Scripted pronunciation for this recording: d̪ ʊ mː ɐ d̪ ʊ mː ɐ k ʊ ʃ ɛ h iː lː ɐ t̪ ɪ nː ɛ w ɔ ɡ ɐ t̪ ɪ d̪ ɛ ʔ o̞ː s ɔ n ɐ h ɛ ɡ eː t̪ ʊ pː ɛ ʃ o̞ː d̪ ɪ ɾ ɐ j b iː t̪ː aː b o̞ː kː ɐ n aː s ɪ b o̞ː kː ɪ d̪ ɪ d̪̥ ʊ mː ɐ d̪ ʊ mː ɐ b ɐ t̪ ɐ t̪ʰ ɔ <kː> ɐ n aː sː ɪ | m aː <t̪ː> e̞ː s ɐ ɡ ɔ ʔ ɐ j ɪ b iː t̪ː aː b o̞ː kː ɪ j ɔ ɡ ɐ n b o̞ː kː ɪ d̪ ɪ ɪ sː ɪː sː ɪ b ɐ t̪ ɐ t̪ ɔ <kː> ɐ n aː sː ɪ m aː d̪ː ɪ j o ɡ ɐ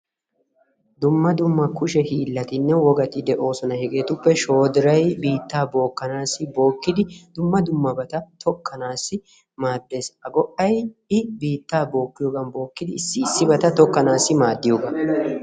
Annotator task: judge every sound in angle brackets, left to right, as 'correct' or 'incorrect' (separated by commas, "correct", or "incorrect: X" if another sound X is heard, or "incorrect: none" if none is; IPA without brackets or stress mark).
correct, incorrect: d̪ː, correct